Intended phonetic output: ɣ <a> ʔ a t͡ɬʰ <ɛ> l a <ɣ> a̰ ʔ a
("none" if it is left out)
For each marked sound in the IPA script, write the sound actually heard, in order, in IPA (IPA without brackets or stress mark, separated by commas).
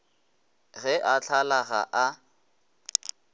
ɛ, a, ɣ